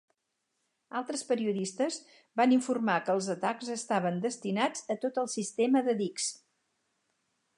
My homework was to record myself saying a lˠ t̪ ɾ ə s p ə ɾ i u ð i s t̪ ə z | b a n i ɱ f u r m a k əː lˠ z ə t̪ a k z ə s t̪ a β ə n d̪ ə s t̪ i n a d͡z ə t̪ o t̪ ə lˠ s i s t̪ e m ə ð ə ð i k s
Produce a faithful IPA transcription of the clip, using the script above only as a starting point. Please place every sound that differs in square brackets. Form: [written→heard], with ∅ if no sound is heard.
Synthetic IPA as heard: a lˠ t̪ ɾ ə s p ə ɾ i u ð i s t̪ ə z | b a n i ɱ f u r m a k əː lˠ z ə t̪ a k z ə s t̪ a β ə n d̪ ə s t̪ i n a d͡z ə t̪ o t̪ ə lˠ s i s t̪ e m ə ð ə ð i k s